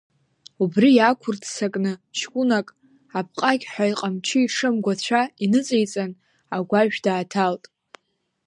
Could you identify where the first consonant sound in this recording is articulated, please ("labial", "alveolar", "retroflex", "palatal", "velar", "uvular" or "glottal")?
labial